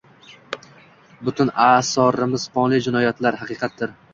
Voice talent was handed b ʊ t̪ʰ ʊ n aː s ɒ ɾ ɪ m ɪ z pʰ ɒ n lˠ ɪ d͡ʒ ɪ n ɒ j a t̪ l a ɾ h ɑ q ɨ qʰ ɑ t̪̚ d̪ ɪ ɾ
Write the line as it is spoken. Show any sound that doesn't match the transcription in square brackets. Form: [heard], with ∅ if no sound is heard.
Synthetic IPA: b ʊ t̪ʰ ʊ n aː s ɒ ɾ ɪ m ɪ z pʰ ɒ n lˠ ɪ d͡ʒ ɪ n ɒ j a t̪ l a ɾ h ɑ q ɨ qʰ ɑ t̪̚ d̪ ɪ ɾ